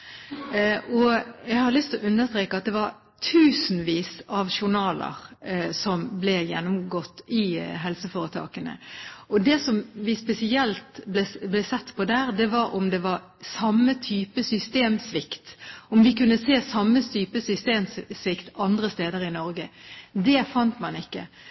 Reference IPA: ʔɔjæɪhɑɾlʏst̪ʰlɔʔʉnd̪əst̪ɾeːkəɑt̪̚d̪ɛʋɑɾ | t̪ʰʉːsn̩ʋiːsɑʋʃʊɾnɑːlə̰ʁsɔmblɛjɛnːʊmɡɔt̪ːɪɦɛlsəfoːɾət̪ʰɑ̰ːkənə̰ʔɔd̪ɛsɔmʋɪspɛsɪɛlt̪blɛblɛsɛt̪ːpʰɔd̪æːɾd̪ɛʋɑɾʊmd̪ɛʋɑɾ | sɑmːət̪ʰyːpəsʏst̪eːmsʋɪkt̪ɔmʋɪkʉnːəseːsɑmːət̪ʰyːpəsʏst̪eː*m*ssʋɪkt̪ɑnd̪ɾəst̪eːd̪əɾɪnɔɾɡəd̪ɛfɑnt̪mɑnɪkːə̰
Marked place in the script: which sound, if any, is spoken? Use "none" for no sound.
m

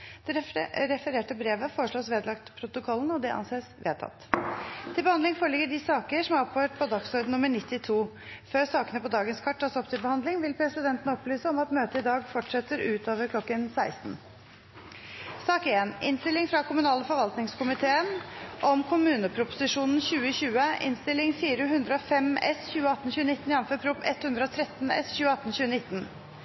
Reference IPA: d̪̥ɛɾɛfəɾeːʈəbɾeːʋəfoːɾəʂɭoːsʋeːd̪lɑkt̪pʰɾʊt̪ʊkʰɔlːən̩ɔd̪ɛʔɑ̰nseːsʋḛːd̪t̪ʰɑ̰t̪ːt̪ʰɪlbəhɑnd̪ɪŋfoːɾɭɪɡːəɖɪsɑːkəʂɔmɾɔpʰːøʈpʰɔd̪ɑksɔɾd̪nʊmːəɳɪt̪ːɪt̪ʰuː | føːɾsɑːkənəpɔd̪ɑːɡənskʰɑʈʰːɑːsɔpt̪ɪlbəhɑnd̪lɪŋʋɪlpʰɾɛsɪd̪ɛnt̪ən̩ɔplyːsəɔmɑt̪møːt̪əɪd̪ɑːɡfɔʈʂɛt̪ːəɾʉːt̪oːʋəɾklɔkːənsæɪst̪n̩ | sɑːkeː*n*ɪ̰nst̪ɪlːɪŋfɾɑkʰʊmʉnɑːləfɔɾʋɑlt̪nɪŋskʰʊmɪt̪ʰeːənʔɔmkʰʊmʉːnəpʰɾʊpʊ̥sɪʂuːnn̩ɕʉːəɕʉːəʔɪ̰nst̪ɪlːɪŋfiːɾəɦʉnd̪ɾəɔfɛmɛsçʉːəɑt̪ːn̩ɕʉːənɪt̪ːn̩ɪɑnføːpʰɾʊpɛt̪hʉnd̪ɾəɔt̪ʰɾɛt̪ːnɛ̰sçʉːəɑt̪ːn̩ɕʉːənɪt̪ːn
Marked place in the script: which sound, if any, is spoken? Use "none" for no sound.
n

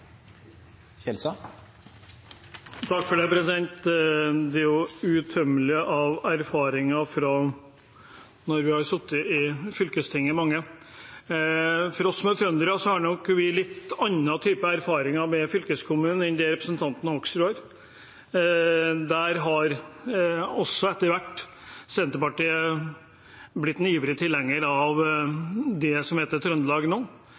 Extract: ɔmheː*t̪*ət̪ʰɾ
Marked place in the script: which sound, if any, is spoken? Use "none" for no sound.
t̪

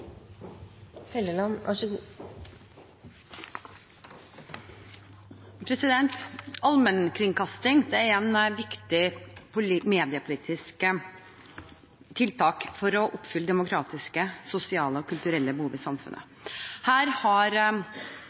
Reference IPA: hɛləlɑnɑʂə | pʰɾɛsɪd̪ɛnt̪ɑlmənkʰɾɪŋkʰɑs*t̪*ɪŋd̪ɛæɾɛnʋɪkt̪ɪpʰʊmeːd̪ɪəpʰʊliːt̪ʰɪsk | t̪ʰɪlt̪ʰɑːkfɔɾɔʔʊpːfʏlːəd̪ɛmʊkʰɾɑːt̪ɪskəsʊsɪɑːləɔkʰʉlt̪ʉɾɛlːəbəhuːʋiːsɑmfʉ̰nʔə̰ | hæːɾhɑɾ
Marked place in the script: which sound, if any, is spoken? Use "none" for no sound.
t̪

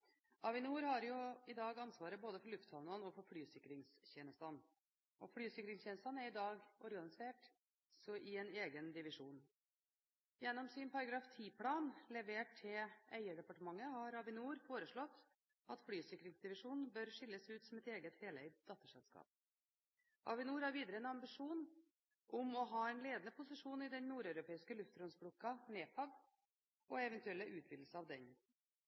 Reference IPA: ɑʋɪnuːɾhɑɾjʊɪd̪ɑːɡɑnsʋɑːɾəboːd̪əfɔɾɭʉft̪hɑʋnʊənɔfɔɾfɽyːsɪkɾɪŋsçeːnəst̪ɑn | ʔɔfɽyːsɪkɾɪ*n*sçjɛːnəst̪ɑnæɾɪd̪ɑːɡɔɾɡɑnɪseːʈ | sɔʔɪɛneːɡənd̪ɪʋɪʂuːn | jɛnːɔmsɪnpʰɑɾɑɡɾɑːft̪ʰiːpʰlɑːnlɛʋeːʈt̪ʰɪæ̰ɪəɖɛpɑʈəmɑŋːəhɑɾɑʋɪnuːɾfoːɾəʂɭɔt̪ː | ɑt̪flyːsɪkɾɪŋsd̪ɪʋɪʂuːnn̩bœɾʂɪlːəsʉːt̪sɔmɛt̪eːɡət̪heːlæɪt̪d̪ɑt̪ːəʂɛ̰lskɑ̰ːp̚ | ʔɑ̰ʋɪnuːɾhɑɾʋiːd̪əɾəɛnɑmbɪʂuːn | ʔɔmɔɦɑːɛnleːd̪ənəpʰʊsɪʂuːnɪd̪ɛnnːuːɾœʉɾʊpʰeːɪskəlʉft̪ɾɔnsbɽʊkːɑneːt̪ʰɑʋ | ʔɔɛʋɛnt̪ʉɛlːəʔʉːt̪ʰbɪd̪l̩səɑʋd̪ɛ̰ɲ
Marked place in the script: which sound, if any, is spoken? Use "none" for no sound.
ŋ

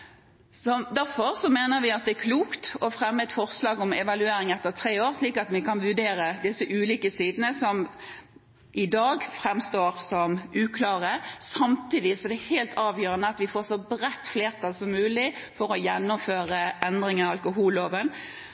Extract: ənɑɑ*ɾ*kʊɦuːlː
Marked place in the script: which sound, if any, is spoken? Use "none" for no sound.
l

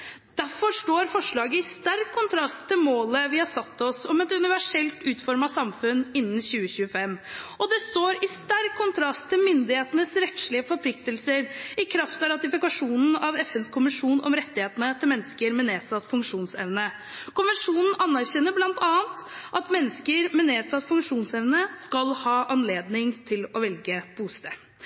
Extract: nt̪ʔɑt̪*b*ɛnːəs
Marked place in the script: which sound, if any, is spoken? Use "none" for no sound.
m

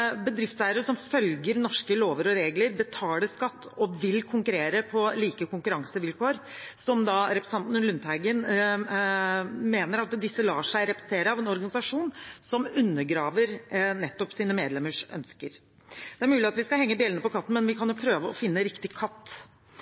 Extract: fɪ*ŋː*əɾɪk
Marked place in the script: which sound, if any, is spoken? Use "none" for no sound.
nː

